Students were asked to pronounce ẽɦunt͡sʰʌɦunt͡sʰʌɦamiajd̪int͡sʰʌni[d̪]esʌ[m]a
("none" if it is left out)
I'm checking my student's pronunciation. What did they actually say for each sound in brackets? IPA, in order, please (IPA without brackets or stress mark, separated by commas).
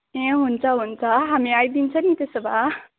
t̪, b